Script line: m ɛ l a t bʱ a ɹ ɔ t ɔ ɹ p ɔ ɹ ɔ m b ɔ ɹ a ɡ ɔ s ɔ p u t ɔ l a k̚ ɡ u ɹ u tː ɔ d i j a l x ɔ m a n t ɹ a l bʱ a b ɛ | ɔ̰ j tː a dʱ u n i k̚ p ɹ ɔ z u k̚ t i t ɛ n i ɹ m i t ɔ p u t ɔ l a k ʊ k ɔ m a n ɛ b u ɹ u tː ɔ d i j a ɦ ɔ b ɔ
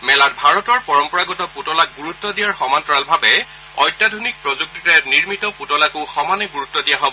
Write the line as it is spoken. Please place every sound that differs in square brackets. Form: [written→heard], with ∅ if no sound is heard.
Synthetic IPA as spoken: m ɛ l a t bʱ a ɹ ɔ t ɔ ɹ p ɔ ɹ ɔ m [b→p] ɔ ɹ a ɡ ɔ [s→t] ɔ p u t ɔ l a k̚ ɡ u ɹ u tː ɔ d i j a [l→ɹ] x ɔ m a n t ɹ a l bʱ a b ɛ | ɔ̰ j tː a dʱ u n i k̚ p ɹ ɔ z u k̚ t i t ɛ n i ɹ m i t ɔ p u t ɔ l a k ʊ [k→x] ɔ m a n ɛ [b→ɡ] u ɹ u tː ɔ d i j a ɦ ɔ b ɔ